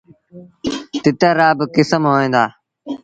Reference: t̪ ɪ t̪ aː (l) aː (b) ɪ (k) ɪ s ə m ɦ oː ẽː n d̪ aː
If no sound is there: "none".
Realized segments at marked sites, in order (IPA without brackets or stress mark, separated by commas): ɾ, b, k